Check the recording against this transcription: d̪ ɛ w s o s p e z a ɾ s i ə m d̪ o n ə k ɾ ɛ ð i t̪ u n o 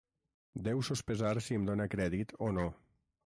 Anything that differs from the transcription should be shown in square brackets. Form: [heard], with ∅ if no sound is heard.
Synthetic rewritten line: d̪ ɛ w s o s p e z a ɾ s i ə m d̪ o n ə k ɾ ɛ ð i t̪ [o] n o